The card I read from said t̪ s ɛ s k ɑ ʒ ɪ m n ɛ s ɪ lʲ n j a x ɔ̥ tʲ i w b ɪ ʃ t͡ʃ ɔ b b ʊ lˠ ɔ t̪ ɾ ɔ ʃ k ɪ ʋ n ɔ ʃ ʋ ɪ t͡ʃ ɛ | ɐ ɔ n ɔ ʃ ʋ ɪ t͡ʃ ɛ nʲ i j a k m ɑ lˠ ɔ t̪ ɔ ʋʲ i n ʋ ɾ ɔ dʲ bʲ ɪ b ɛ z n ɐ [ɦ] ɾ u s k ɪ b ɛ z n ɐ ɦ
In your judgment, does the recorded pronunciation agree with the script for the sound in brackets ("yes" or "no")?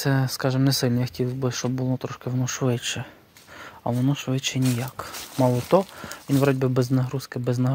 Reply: yes